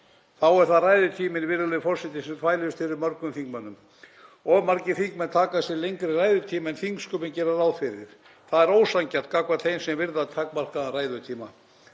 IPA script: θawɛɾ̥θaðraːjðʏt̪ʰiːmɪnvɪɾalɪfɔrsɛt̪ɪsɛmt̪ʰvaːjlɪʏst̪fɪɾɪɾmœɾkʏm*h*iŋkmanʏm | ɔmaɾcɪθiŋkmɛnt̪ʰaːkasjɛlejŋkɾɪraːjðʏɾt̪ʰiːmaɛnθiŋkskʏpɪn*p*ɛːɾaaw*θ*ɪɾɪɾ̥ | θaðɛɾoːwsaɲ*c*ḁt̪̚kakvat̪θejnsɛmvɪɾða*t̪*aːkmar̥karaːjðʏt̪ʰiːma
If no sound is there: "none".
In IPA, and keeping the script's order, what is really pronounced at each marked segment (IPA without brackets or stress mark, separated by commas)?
θ, c, f, c, t̪ʰ